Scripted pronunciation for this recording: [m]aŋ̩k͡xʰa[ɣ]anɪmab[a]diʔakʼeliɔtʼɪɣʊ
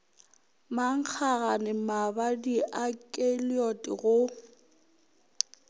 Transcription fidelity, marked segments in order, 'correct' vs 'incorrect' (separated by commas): correct, correct, correct